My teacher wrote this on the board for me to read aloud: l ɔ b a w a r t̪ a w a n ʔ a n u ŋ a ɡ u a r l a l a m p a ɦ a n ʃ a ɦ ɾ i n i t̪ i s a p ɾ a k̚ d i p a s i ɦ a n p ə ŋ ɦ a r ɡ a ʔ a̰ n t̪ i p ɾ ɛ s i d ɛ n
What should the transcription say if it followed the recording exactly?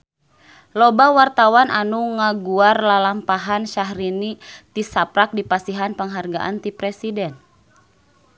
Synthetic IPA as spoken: l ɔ b a w a r t̪ a w a n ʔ a n u ŋ a ɡ u a r l a l a m p a ɦ a n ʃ a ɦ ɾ i n i t̪ i s a p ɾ a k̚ d i p a s i ɦ a n p ə ŋ ɦ a r ɡ a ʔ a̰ n t̪ i p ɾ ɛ s i d ɛ n